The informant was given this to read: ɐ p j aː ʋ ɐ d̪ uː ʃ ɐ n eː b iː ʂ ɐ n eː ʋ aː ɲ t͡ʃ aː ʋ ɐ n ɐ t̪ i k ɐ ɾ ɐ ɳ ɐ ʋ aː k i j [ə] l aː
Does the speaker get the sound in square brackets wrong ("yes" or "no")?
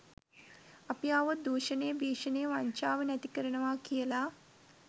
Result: yes